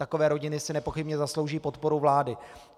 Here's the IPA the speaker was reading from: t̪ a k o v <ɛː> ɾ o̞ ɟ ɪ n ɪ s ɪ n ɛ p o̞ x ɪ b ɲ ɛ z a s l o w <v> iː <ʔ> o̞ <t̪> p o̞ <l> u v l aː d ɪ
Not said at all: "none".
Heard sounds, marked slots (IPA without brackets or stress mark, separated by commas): ɛː, ʒ, p, t̪, ɾ